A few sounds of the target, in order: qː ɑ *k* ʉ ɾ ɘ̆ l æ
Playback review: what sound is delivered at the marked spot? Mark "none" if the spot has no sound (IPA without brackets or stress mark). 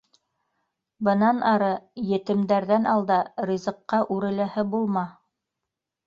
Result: ʔ